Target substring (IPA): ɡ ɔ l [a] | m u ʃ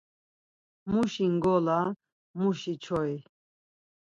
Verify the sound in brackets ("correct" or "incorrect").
correct